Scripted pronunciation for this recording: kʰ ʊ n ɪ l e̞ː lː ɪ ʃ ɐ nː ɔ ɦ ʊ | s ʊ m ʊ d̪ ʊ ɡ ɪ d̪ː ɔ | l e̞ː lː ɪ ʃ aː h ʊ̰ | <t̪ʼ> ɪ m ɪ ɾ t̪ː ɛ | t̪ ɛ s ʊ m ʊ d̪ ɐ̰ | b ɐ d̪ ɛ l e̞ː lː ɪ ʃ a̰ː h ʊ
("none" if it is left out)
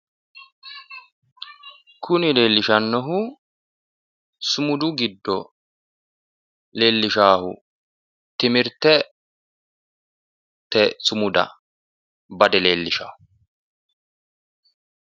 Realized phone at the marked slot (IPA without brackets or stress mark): t̪